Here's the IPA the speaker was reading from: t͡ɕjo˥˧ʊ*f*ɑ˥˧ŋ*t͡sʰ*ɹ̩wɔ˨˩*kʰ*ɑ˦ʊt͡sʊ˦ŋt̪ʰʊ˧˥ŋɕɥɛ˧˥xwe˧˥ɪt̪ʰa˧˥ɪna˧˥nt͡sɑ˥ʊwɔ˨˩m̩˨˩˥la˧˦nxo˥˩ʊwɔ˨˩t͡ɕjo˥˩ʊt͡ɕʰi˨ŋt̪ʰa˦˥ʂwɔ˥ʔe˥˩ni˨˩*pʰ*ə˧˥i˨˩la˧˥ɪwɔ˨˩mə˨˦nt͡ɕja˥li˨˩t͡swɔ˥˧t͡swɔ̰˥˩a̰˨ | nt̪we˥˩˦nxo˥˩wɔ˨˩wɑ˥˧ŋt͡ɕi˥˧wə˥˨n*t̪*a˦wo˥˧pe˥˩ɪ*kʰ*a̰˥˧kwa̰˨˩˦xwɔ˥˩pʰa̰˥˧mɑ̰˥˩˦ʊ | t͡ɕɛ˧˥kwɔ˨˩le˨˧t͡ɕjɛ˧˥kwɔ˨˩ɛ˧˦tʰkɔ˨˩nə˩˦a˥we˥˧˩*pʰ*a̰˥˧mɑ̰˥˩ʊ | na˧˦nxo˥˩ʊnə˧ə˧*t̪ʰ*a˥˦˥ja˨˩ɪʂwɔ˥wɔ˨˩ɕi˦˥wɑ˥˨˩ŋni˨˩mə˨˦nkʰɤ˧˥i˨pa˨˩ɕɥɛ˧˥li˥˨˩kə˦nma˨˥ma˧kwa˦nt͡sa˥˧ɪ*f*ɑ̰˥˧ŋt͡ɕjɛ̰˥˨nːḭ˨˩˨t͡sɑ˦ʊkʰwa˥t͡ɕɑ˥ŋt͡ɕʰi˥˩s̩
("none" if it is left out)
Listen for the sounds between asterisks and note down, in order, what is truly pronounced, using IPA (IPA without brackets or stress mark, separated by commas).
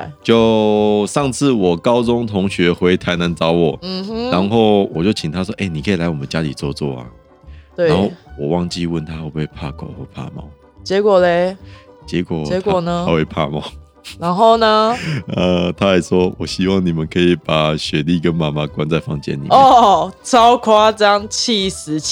ʂ, t͡sʰ, k, kʰ, t̪ʰ, pʰ, pʰ, t̪ʰ, f